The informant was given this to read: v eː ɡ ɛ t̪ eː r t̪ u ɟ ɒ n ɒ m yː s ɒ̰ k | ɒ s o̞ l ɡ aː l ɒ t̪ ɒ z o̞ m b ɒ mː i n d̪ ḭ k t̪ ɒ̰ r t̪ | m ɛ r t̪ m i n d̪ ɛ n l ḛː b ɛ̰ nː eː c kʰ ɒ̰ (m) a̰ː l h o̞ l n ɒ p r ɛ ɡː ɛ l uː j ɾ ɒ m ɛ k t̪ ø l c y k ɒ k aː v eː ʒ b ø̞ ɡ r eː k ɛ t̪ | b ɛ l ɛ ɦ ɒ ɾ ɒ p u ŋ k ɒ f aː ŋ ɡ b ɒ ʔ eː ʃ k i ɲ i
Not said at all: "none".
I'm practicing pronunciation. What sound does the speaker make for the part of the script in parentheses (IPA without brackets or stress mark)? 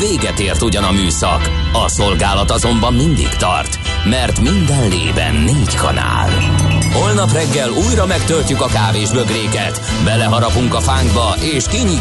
n